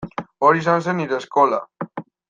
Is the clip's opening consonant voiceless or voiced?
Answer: voiced